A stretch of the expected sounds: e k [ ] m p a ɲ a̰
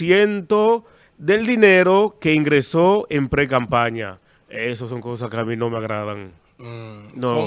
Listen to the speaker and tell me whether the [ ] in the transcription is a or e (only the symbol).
a